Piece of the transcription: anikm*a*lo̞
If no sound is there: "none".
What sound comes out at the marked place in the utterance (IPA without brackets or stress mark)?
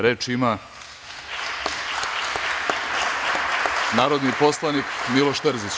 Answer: i